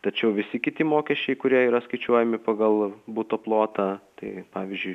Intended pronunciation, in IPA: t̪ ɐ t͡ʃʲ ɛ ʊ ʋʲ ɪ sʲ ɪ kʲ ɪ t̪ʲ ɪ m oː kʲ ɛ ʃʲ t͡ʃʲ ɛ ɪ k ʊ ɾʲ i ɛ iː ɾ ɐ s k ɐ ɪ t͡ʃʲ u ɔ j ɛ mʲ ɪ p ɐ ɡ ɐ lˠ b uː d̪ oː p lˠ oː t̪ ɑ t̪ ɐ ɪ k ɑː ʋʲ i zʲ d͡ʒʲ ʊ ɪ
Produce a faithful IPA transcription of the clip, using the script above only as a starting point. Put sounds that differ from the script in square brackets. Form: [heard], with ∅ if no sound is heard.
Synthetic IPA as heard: t̪ ɐ t͡ʃʲ ɛ ʊ ʋʲ ɪ sʲ ɪ kʲ ɪ t̪ʲ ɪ m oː kʲ ɛ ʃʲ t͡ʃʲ ɛ ɪ k ʊ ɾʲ i ɛ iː ɾ ɐ s k ɐ ɪ t͡ʃʲ u ɔ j ɛ mʲ ɪ p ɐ ɡ ɐ lˠ b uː [t̪] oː p lˠ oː t̪ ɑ t̪ ɐ ɪ [p] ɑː ʋʲ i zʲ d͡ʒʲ ʊ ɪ